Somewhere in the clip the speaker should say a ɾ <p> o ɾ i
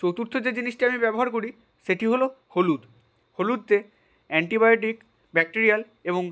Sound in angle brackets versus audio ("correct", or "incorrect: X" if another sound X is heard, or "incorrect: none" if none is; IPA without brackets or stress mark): incorrect: k